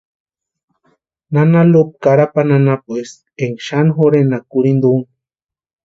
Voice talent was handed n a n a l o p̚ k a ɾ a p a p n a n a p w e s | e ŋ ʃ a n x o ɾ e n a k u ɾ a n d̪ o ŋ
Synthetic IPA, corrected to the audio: n a n a l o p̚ k a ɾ a p a n a n a p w e s | e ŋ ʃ a n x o ɾ e n a k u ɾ i n d̪ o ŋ

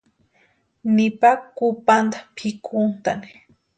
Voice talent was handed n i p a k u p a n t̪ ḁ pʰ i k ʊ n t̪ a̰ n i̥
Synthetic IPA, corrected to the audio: n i p a k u p a n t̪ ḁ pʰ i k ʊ n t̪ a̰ n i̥

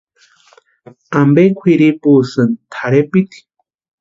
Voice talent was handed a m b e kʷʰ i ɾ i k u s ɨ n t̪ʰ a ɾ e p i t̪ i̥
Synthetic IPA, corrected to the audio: a m b e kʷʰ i ɾ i p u s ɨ n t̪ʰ a ɾ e p i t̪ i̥

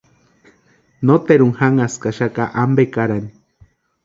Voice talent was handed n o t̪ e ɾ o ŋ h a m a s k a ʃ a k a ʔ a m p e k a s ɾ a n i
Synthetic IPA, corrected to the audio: n o t̪ e ɾ u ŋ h a ŋ a s k a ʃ a k a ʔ a m b e k a ɾ a n i

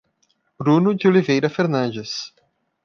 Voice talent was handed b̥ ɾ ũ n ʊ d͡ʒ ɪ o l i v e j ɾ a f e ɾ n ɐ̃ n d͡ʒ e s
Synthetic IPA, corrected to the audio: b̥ ɾ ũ n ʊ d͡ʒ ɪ o l i v e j ɾ ɐ f e ɾ n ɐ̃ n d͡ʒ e s

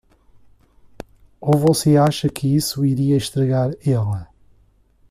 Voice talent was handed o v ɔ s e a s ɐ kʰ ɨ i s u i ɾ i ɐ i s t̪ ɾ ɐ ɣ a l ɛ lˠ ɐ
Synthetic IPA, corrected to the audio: o v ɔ s e a ʃ ɐ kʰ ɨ i s u i ɾ i ɐ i ʃ t̪ ɾ ɐ ɣ a ɾ ɛ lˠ ɐ

